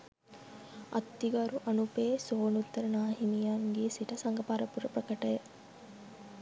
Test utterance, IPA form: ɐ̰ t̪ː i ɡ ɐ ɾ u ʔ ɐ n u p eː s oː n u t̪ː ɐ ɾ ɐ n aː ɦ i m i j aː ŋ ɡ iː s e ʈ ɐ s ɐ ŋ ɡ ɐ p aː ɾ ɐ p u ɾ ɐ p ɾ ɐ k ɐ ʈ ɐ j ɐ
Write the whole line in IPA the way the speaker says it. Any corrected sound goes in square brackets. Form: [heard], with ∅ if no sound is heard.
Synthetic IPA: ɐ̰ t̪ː i ɡ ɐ ɾ u ʔ ɐ n u p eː s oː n u t̪ː ɐ ɾ ɐ n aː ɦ i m i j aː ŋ ɡ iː s [i] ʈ ɐ s ɐ ŋ ɡ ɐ p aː ɾ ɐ p u ɾ ɐ p ɾ ɐ k ɐ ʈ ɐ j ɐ